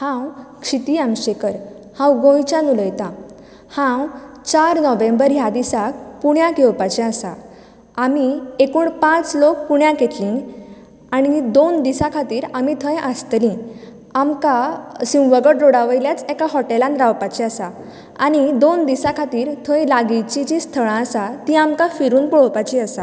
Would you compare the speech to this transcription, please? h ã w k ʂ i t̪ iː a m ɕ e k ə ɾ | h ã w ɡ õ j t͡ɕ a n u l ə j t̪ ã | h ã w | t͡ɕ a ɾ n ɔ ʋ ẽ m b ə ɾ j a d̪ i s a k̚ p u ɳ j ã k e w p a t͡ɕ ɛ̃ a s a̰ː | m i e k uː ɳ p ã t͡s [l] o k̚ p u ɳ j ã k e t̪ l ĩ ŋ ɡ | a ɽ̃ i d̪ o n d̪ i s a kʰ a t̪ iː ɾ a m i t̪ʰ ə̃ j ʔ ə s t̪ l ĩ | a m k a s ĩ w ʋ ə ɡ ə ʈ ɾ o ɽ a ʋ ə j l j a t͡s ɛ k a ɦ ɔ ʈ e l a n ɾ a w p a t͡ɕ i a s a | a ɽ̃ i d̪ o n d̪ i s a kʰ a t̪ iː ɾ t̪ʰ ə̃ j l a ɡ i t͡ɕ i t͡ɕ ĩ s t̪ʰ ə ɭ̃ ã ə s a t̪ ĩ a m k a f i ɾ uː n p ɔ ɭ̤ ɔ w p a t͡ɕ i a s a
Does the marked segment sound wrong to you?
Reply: no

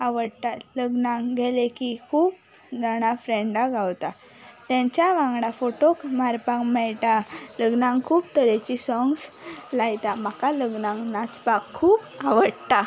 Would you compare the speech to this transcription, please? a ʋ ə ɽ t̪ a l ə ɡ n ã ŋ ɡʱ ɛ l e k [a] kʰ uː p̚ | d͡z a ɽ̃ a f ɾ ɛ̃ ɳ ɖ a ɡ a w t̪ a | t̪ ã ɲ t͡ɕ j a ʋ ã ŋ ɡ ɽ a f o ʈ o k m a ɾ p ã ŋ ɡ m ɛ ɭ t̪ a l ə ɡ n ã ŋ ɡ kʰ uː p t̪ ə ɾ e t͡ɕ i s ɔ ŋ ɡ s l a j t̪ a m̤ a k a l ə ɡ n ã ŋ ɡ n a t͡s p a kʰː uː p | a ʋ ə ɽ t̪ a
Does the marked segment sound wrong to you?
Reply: yes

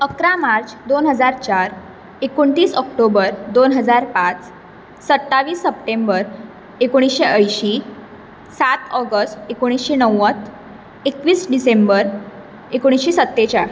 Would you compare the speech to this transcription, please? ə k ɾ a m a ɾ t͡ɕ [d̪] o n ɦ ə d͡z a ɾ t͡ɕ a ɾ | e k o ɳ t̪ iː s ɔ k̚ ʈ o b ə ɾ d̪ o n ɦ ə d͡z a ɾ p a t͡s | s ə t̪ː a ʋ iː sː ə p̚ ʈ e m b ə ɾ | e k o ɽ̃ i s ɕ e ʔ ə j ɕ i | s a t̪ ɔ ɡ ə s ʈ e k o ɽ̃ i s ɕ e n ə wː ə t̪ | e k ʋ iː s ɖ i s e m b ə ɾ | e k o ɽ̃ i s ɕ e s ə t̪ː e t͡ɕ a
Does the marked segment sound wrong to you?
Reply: no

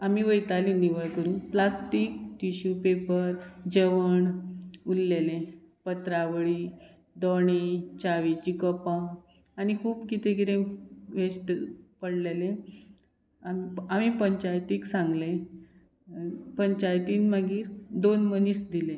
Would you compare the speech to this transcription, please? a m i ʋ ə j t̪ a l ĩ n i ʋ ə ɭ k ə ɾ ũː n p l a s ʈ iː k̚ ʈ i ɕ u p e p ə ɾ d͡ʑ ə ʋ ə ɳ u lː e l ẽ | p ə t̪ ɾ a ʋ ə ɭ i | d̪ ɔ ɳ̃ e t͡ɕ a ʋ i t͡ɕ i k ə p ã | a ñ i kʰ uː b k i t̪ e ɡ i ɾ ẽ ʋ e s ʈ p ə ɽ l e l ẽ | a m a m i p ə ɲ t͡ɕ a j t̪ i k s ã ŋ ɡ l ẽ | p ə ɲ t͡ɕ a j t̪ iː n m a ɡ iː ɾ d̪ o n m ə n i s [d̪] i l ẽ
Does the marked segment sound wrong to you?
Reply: no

